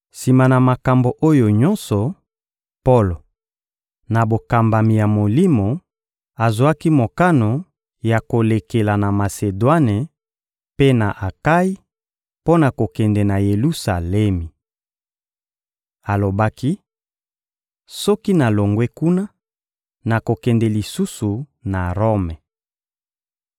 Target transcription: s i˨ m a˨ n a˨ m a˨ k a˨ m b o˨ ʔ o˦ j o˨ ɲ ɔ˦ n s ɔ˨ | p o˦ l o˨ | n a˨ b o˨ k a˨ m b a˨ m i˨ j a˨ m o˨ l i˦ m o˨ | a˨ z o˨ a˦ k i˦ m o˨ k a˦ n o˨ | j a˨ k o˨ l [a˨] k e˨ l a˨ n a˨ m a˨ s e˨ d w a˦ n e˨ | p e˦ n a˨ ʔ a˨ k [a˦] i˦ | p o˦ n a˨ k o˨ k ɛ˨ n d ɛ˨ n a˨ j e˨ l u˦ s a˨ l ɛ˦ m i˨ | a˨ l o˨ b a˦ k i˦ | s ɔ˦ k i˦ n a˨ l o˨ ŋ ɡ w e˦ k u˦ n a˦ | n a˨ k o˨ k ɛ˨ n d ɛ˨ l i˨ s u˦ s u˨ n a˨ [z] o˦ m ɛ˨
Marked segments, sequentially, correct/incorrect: incorrect: e˨, correct, incorrect: ʁ

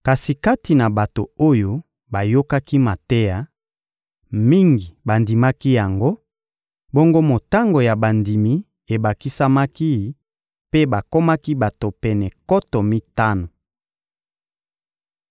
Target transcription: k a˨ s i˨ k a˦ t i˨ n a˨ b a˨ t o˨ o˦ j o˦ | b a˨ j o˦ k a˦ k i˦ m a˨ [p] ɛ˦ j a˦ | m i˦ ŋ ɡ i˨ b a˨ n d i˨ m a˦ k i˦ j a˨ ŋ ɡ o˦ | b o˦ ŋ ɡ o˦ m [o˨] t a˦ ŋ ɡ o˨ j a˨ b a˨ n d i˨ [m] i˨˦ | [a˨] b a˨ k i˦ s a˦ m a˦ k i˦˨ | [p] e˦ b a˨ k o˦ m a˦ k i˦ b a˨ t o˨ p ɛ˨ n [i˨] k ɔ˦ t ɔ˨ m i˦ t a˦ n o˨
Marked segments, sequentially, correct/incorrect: incorrect: t, correct, correct, incorrect: e˨, correct, incorrect: ɛ˨

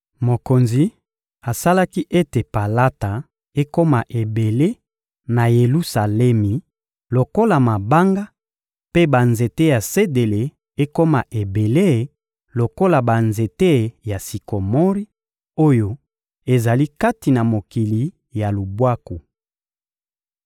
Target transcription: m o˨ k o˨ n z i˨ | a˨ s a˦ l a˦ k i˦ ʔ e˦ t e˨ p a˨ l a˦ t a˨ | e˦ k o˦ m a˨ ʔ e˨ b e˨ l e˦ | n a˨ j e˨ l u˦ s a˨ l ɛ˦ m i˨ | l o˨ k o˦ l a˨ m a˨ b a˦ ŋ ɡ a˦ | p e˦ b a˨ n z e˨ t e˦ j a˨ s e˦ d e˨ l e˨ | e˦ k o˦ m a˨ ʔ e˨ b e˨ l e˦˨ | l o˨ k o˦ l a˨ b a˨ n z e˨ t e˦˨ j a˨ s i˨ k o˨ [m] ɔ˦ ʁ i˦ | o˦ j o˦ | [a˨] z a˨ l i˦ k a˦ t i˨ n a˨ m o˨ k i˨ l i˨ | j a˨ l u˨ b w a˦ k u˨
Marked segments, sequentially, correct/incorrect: correct, incorrect: e˨

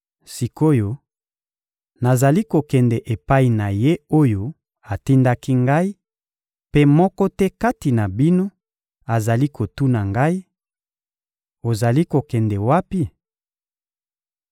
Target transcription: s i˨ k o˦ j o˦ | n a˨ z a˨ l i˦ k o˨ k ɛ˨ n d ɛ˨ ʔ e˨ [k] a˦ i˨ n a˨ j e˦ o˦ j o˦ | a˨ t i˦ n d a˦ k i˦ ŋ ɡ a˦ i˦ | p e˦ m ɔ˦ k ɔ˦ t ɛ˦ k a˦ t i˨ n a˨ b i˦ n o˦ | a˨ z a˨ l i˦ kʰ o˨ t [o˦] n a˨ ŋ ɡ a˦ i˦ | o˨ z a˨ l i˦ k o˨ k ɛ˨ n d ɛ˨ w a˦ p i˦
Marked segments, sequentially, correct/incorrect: incorrect: p, incorrect: u˦

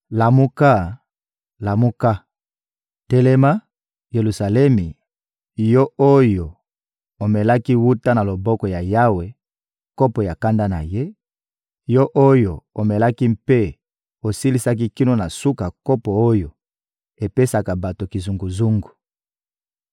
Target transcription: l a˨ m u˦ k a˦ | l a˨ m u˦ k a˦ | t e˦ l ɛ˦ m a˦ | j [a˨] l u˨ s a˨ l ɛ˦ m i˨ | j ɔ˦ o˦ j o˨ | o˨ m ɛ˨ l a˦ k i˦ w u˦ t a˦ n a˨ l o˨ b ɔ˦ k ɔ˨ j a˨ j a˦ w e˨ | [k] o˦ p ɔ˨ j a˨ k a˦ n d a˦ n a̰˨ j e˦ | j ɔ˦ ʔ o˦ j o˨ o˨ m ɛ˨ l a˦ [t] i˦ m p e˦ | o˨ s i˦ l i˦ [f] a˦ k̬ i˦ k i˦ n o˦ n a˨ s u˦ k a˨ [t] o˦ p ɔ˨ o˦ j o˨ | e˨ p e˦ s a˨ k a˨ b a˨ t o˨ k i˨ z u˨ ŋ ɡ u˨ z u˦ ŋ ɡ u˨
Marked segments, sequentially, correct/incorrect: incorrect: e˨, correct, incorrect: k, incorrect: s, incorrect: k

